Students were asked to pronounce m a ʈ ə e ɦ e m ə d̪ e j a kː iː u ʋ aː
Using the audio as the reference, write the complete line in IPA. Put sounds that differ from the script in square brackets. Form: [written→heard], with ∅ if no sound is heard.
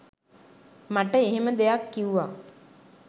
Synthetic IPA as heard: m a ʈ ə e ɦ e m ə d̪ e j a kː [iː→i] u ʋ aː